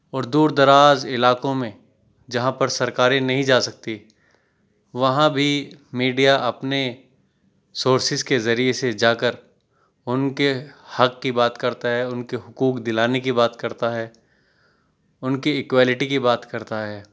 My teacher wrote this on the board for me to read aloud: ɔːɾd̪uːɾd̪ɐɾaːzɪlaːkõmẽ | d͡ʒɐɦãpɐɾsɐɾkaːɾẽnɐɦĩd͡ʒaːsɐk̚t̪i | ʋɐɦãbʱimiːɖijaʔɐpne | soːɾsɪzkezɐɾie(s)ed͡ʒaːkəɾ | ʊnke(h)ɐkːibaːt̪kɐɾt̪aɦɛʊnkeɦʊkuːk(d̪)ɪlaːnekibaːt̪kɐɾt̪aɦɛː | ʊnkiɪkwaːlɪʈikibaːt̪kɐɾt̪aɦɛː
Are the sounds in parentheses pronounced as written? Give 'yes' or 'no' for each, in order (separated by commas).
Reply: yes, yes, yes